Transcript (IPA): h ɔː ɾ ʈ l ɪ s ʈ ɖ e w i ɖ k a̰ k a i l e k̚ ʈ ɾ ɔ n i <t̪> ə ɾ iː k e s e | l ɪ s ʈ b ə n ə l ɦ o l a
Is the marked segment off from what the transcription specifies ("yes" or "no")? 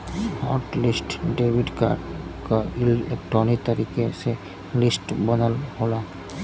no